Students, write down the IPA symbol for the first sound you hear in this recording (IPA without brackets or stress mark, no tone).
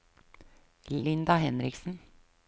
ɪ